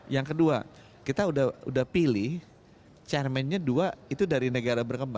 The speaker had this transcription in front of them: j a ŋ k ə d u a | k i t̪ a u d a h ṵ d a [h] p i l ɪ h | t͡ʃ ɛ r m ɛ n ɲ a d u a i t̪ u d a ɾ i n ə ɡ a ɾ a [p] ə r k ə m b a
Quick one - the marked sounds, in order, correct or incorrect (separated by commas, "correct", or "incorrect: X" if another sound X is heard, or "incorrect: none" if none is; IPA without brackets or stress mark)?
correct, incorrect: b